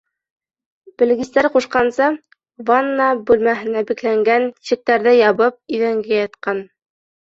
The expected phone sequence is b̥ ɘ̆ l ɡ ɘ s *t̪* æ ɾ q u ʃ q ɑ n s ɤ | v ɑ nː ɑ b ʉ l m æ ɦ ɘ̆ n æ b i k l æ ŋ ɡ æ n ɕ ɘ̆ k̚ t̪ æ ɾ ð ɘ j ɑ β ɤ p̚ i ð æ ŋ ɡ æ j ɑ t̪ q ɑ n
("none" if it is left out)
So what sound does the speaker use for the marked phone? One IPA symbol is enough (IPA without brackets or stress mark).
t̪